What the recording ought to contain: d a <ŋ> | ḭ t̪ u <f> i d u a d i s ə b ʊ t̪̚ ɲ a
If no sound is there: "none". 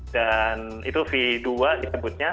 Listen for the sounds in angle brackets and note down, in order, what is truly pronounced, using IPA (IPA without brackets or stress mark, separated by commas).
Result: n, f